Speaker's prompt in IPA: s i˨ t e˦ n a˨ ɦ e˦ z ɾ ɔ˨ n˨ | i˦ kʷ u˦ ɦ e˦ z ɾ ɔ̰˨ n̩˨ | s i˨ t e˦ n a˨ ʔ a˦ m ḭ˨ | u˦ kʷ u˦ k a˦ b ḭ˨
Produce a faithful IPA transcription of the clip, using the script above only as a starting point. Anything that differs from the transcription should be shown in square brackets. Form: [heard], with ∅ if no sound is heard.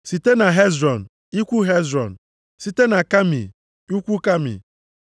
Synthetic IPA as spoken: s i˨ t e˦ n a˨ ɦ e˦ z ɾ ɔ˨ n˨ | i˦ kʷ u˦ ɦ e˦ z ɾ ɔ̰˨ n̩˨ | s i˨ t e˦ n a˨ [k] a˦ m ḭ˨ | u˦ kʷ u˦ k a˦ [m] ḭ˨